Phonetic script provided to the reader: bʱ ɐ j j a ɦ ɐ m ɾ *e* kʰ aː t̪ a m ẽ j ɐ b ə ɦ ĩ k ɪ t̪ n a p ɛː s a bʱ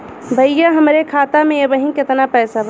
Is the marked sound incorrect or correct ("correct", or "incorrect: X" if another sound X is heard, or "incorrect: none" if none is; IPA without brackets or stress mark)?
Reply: correct